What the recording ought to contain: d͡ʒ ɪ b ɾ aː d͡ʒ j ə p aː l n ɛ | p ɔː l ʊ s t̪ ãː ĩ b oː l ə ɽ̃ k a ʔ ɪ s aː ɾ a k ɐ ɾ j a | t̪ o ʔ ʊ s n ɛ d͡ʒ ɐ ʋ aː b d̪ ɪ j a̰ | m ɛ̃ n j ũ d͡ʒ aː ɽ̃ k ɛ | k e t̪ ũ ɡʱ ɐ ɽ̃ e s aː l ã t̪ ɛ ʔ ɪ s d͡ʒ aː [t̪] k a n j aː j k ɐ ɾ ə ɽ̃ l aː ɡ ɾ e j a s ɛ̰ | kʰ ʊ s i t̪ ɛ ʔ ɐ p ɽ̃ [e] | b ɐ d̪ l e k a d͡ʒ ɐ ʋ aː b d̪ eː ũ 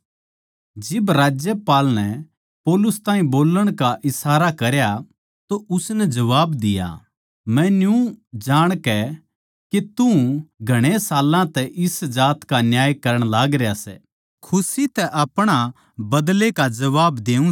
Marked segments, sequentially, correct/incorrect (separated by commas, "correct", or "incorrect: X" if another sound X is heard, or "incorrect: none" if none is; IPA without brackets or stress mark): correct, incorrect: a